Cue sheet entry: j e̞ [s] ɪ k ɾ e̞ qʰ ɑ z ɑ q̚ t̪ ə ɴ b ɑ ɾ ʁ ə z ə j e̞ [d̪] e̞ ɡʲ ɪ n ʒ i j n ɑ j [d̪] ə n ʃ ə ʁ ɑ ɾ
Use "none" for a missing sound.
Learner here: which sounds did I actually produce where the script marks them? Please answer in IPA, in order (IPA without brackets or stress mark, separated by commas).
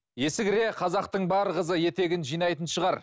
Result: s, t̪, t̪